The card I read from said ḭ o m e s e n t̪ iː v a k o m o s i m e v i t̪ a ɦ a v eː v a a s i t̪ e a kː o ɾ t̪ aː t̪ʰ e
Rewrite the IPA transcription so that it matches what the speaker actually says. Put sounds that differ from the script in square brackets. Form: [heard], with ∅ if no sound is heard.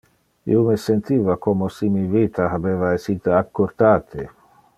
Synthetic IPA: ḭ o m e s e n t̪ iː v a k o m o s i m [i] v i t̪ a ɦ a [b] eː v a [e] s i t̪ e a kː o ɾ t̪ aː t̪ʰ e